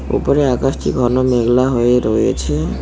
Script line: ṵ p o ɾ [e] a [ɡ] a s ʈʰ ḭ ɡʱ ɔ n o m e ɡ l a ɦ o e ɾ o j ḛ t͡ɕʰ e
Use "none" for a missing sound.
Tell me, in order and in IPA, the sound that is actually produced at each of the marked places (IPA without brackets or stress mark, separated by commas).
e, k